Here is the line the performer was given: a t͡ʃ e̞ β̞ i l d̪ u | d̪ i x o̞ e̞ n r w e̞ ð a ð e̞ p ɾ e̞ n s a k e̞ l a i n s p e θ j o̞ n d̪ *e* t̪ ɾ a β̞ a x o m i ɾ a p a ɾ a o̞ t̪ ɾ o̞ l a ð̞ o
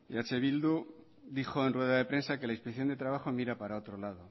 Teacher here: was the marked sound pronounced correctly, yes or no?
yes